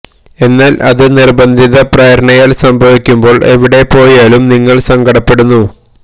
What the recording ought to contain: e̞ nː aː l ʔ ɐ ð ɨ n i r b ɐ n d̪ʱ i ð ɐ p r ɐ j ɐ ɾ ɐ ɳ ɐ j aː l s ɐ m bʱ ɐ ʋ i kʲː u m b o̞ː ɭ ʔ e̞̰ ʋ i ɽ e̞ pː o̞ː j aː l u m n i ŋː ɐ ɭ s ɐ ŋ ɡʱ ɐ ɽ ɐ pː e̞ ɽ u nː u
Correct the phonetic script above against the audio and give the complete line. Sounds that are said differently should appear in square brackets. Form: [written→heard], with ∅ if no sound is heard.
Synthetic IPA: e̞ nː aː l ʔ ɐ ð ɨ n i r b ɐ n d̪ʱ i ð ɐ p r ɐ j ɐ ɾ ɐ ɳ ɐ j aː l s ɐ m bʱ ɐ ʋ i kʲː u m b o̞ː ɭ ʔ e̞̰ ʋ i ɽ e̞ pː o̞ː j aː l u m n i ŋː ɐ ɭ s ɐ ŋ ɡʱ ɐ ɽ ɐ pː e̞ ɽ u nː u